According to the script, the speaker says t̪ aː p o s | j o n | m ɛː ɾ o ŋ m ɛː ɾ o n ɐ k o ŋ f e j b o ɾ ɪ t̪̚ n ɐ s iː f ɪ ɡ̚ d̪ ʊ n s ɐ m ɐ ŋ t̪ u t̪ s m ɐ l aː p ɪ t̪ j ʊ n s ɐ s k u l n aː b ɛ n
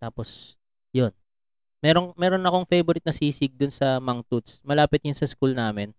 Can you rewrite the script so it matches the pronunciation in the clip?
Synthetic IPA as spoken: t̪ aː p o s | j o n | m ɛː ɾ o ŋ m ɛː ɾ o n ɐ k o ŋ f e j b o ɾ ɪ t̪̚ n ɐ s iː s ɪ ɡ̚ d̪ ʊ n s ɐ m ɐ ŋ t̪ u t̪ s m ɐ l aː p ɪ t̪ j ʊ n s ɐ s k u l n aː m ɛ n